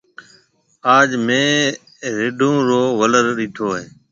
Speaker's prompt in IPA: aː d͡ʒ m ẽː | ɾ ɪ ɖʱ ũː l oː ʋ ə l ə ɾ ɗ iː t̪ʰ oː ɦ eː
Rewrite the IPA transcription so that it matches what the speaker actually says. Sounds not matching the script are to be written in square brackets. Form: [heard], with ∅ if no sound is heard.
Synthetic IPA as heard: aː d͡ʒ m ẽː | ɾ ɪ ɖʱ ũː [ɾ] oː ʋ ə l ə ɾ ɗ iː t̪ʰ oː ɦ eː